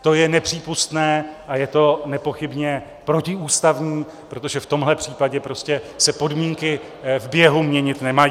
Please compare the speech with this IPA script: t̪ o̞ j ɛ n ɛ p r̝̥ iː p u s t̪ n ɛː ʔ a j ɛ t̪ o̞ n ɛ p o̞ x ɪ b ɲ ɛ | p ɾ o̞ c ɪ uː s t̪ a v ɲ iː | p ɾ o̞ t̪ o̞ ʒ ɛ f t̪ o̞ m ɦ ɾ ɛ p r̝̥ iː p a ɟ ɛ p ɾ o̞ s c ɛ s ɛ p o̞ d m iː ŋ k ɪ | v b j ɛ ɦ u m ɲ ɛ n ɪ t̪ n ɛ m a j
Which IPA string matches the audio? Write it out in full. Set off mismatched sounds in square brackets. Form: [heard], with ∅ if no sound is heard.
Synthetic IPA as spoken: t̪ o̞ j ɛ n ɛ p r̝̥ iː p u s t̪ n ɛː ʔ a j ɛ t̪ o̞ n ɛ p o̞ x ɪ b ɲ ɛ | p ɾ o̞ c ɪ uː s t̪ a v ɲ iː | p ɾ o̞ t̪ o̞ ʒ ɛ f t̪ o̞ m ɦ [l] ɛ p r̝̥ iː p a ɟ ɛ p ɾ o̞ s c ɛ s ɛ p o̞ d m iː ŋ k ɪ | v b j ɛ ɦ u m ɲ ɛ [ɲ] ɪ t̪ n ɛ m a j